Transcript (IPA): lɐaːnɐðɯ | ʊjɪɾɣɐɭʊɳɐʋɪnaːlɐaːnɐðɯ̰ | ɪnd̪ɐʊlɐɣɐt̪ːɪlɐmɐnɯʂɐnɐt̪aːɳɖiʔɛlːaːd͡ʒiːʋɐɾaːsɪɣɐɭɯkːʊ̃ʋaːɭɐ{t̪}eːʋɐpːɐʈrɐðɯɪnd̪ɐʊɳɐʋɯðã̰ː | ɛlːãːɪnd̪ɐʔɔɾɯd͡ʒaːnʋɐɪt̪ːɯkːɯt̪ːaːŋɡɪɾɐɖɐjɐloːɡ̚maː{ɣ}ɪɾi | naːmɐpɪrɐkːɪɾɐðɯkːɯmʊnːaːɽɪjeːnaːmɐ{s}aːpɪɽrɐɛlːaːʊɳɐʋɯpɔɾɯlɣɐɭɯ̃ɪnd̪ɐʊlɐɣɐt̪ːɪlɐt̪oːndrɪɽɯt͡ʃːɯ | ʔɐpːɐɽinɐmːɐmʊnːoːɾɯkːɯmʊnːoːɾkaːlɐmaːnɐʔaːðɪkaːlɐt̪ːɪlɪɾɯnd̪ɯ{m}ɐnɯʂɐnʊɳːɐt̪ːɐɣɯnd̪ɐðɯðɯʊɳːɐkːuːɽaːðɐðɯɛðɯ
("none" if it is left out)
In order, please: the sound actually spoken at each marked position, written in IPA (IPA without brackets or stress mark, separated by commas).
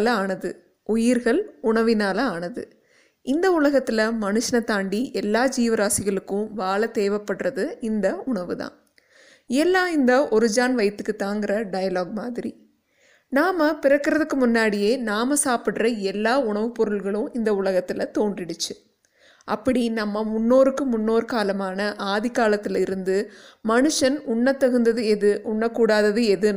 t̪, ð, s, m